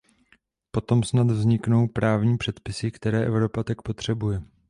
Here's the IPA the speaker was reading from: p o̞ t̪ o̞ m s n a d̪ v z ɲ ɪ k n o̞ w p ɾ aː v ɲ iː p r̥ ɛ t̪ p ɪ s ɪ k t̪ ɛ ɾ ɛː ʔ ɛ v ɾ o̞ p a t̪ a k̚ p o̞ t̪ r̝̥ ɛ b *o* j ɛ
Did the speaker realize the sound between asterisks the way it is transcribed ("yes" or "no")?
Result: no